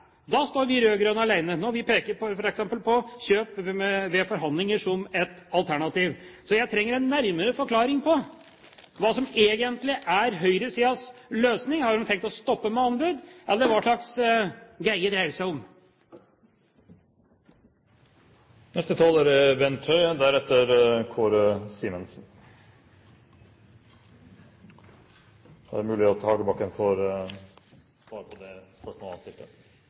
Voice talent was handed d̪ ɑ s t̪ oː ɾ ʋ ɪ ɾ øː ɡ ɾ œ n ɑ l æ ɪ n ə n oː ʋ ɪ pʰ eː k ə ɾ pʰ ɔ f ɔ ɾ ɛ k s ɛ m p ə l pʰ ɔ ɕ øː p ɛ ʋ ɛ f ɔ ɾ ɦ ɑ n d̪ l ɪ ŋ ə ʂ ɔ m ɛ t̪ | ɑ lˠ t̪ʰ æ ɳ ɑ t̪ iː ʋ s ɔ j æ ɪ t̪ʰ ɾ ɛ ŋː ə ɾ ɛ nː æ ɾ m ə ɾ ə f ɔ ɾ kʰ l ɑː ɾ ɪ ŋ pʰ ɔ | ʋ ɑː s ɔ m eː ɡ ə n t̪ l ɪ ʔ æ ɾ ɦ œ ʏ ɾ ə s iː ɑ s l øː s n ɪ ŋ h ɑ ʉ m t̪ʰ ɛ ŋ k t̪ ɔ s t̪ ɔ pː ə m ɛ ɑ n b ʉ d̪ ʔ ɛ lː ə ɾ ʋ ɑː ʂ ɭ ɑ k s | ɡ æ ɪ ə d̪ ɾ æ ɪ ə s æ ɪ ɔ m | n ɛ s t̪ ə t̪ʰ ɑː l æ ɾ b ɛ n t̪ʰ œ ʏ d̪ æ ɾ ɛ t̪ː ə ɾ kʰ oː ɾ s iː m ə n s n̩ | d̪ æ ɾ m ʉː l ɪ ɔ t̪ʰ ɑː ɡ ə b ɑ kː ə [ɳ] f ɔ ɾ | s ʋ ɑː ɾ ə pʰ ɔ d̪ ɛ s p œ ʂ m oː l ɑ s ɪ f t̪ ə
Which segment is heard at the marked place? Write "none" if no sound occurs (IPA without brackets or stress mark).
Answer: n